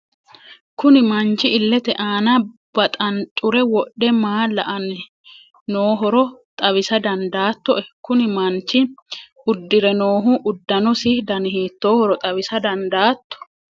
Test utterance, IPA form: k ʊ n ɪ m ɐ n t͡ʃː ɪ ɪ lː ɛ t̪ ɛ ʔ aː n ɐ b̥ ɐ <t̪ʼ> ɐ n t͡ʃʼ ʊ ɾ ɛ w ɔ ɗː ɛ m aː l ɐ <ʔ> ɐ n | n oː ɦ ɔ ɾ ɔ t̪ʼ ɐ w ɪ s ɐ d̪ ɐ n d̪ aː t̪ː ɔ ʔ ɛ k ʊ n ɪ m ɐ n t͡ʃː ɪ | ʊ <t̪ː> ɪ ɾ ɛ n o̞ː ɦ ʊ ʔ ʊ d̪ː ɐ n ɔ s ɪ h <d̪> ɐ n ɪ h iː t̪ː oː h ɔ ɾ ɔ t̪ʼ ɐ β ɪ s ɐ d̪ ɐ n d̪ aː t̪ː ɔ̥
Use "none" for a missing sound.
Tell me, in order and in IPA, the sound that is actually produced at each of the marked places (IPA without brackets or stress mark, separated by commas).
t̪ʼ, ʔ, d̪ː, d̪